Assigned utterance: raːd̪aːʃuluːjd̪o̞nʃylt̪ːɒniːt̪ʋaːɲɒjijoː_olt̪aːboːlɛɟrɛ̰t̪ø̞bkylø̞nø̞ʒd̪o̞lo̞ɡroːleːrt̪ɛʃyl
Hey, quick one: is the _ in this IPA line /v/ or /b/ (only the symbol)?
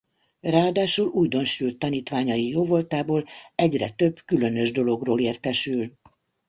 v